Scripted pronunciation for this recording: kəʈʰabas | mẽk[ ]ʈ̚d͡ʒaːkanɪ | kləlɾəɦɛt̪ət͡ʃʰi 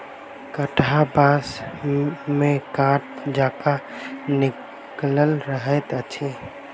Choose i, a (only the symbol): a